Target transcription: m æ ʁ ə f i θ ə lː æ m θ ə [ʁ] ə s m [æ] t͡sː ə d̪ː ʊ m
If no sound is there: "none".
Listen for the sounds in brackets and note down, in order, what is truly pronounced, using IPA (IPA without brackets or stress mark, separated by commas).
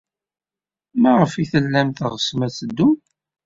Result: ʁ, æ